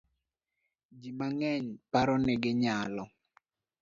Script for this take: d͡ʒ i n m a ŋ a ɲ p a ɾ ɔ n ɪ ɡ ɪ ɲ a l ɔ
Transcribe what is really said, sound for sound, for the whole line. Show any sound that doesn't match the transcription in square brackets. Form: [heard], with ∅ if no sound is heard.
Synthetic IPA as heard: d͡ʒ i [∅] m a ŋ [ɛ] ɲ p a ɾ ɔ n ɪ ɡ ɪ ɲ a l ɔ